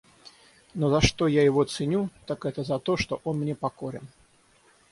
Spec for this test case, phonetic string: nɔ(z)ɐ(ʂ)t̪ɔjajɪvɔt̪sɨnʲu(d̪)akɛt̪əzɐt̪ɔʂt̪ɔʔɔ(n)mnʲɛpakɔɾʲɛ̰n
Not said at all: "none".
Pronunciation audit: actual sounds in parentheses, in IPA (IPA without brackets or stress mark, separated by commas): z, ʂ, t̪, n